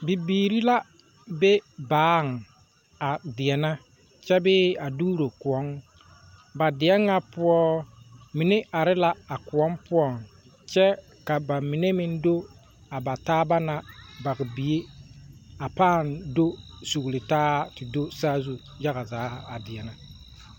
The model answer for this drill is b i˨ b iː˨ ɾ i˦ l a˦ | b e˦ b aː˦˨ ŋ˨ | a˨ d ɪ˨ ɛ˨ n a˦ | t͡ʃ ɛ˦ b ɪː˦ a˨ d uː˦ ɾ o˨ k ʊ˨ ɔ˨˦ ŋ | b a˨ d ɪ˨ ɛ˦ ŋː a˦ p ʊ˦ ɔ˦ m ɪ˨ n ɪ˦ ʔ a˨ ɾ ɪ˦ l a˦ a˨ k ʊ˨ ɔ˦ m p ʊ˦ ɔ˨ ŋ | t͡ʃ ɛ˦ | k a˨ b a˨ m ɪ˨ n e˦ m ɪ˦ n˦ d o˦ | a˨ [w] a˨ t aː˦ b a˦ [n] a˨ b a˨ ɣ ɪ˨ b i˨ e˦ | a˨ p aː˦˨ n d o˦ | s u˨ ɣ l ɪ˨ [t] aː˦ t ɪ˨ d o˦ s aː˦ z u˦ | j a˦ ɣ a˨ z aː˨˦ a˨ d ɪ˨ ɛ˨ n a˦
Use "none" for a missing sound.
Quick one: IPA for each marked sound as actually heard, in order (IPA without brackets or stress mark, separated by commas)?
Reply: b, n, t